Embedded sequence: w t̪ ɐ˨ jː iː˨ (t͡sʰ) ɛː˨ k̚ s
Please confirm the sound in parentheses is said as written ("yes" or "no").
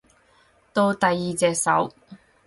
no